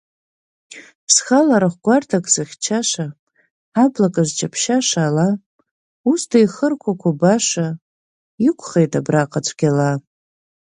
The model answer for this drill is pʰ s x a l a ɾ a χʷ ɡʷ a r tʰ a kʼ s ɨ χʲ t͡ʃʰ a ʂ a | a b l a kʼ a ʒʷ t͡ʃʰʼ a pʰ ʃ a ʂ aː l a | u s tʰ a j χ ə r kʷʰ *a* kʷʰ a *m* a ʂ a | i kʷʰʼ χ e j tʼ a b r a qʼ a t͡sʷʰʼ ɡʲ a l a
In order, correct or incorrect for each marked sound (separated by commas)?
correct, incorrect